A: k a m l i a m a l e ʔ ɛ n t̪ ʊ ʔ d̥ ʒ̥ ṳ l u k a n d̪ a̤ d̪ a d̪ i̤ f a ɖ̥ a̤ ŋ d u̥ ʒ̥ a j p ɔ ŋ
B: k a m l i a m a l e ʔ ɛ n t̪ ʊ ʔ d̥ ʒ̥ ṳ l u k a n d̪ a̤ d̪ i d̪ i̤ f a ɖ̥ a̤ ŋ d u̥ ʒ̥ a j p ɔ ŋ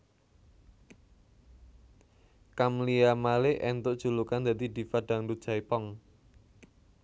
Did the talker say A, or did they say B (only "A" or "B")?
B